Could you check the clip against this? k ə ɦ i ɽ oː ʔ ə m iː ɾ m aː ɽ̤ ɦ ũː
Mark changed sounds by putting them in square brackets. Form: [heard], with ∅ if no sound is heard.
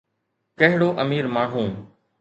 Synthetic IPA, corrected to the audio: k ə ɦ [ɪ] ɽ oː ʔ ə m iː ɾ m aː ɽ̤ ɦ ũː